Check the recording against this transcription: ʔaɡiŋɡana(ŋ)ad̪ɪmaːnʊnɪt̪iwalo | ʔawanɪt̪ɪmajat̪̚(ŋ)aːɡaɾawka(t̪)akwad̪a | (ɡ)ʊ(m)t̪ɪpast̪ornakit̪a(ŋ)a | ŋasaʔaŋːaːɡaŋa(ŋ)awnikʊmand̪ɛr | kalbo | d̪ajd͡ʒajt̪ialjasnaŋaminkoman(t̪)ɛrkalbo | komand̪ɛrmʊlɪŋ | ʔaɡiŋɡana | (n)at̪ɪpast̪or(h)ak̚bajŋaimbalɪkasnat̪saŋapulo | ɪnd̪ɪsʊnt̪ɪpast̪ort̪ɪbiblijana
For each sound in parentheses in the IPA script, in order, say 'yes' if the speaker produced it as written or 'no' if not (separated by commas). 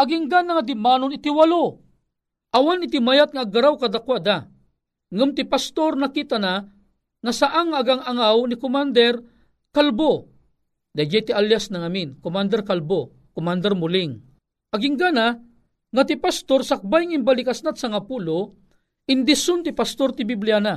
yes, yes, no, no, yes, no, yes, no, no, no